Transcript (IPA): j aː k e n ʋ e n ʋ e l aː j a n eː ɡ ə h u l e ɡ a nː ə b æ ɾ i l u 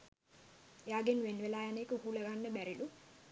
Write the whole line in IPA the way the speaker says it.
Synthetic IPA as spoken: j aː ɡ e n ʋ e n ʋ e l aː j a n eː k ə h u l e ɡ a nː ə b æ ɾ i l u